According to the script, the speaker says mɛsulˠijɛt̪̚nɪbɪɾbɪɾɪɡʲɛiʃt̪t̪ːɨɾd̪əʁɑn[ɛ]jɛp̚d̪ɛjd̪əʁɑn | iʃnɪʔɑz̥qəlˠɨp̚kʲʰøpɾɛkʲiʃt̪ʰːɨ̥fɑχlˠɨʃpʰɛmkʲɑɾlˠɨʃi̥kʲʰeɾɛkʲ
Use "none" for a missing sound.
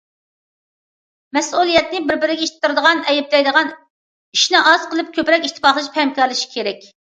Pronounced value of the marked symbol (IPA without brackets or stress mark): ɛ